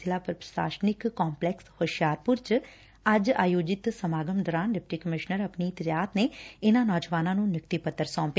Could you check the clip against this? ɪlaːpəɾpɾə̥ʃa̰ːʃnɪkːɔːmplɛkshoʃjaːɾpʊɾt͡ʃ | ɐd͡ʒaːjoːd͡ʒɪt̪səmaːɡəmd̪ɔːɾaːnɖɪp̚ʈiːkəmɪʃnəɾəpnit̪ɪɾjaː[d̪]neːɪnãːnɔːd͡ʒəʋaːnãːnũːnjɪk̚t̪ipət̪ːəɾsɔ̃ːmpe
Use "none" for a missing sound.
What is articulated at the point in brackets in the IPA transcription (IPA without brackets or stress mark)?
t̪